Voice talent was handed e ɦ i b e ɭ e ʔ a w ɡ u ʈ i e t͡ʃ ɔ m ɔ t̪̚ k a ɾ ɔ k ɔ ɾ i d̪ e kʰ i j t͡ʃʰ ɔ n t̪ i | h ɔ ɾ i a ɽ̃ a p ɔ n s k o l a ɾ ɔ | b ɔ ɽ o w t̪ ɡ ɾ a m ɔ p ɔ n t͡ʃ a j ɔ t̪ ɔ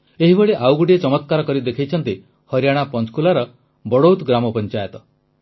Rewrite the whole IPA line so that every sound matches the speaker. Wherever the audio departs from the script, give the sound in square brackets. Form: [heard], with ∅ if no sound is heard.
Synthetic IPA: e ɦ i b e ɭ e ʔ a w ɡ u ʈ i e t͡ʃ ɔ m ɔ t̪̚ k a ɾ ɔ k ɔ ɾ i d̪ e kʰ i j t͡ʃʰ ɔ n t̪ i | h ɔ ɾ [j] a ɽ̃ a p ɔ n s k [u] l a ɾ ɔ | b ɔ ɽ o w t̪ ɡ ɾ a m ɔ p ɔ n t͡ʃ a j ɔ t̪ ɔ